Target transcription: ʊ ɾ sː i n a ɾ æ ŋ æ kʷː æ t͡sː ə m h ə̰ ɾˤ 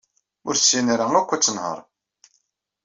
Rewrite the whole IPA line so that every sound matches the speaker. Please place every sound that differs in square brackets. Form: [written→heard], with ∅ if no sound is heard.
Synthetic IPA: ʊ ɾ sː i n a ɾ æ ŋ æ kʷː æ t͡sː ə [m→n] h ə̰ ɾˤ